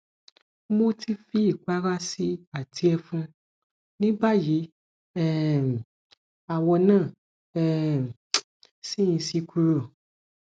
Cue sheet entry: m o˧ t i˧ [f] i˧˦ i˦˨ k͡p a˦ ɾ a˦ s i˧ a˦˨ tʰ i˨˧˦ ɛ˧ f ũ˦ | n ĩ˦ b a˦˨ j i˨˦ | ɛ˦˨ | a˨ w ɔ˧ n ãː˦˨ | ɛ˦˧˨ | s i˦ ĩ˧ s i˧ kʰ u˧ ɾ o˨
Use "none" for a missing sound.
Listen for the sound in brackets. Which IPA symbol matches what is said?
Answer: f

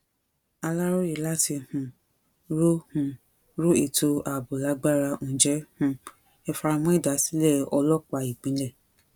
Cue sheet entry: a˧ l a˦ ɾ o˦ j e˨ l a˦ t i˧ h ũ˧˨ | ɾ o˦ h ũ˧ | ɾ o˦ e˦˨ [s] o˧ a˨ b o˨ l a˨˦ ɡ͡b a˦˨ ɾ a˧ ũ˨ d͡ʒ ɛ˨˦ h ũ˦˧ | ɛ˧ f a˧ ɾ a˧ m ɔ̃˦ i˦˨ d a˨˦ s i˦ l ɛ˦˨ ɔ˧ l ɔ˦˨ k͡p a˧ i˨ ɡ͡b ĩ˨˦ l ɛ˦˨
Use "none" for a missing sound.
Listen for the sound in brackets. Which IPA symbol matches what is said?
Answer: t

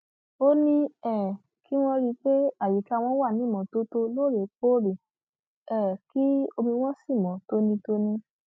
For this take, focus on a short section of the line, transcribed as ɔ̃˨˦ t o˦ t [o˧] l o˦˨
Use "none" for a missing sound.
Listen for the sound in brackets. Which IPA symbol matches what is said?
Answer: o˧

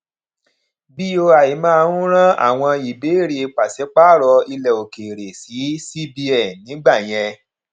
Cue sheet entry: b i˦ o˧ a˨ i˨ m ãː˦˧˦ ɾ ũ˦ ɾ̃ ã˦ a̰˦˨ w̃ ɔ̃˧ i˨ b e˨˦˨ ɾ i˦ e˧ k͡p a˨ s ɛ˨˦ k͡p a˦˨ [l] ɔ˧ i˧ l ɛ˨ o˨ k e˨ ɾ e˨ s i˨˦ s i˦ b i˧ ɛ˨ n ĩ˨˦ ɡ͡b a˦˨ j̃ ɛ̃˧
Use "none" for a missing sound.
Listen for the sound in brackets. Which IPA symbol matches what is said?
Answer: ɾ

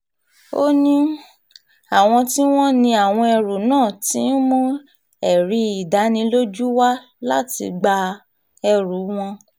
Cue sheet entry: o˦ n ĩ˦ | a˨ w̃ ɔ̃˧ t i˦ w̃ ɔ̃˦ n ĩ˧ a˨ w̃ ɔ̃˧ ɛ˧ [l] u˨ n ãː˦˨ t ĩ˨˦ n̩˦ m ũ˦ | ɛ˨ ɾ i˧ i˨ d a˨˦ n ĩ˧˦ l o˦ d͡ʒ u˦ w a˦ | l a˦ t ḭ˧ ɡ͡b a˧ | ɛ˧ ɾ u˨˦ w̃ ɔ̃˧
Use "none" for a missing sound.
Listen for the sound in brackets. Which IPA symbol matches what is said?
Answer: ɾ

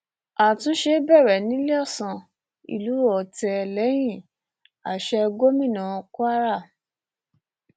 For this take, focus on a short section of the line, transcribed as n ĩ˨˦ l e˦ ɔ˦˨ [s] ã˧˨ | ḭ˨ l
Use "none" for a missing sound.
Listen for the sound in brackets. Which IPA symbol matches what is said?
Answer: s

